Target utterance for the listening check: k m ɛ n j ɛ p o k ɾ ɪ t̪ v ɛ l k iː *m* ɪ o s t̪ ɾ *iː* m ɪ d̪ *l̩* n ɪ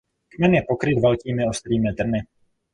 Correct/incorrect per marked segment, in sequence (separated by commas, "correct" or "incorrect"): correct, correct, incorrect